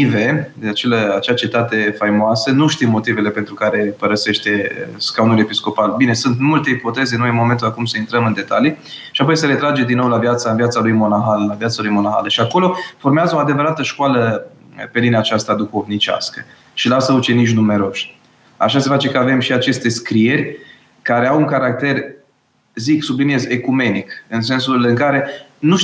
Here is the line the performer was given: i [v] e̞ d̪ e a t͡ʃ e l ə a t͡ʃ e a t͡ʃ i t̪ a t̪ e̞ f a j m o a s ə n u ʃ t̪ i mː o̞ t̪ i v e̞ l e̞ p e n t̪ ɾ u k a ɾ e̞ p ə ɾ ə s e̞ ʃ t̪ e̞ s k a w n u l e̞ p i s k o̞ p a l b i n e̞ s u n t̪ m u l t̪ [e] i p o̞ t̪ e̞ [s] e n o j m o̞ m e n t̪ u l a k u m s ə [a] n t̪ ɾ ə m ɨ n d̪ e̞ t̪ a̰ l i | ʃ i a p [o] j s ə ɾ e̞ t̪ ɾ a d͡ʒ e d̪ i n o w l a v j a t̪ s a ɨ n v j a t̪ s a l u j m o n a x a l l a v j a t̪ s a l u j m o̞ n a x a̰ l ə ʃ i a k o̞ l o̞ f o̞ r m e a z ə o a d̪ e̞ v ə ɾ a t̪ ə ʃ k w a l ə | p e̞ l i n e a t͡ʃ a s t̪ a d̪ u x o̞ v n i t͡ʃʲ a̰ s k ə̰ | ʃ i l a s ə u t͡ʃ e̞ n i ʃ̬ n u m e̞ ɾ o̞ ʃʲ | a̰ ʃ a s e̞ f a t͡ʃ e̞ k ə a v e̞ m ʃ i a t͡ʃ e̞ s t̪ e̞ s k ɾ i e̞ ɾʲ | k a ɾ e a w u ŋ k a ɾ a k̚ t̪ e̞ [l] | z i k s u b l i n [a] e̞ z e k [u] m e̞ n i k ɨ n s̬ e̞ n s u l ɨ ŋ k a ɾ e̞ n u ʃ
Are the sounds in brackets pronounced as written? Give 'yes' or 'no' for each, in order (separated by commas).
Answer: yes, yes, no, no, yes, no, no, yes